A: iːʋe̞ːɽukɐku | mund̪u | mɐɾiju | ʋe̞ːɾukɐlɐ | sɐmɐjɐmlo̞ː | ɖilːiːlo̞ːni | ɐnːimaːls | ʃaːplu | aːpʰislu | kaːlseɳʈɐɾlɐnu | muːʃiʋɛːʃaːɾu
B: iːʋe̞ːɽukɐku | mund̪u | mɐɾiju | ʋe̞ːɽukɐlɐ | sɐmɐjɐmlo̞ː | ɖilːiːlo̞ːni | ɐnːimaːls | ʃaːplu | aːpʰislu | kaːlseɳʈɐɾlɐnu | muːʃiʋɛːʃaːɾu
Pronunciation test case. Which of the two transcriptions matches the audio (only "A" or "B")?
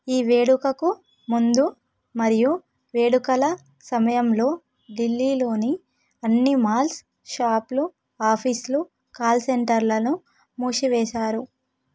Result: B